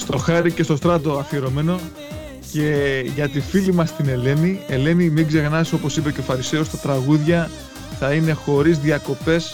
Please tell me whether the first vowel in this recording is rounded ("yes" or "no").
yes